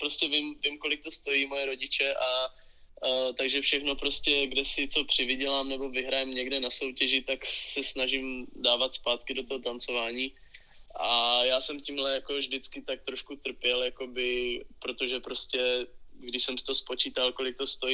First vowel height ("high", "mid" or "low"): mid